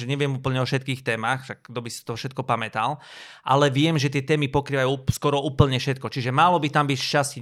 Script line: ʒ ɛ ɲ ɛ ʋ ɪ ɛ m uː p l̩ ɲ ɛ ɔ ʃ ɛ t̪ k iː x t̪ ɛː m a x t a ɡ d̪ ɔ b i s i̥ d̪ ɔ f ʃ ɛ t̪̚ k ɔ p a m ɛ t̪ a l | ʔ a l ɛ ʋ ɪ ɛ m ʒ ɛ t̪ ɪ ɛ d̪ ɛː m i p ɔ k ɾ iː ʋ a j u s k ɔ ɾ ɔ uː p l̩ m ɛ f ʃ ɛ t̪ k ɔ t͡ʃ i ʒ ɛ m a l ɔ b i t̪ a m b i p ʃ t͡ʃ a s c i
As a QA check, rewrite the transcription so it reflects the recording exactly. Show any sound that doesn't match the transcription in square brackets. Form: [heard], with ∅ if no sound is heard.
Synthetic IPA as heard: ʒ ɛ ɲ ɛ ʋ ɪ ɛ m uː p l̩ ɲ ɛ ɔ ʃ ɛ t̪ k iː x t̪ ɛː m a x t a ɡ d̪ ɔ b i s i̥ [t̪] ɔ f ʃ ɛ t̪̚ k ɔ p a m ɛ t̪ a l | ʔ a l ɛ ʋ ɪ ɛ m ʒ ɛ t̪ ɪ ɛ [t̪] ɛː m i p ɔ k ɾ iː ʋ a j u s k ɔ ɾ ɔ uː p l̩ [ɲ] ɛ f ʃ ɛ t̪ k ɔ t͡ʃ i ʒ ɛ m a l ɔ b i t̪ a m b i [c] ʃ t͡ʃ a s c i